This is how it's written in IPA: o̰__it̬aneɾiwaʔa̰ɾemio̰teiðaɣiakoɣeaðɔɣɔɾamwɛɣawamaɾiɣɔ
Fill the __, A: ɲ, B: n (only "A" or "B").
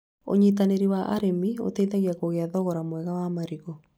A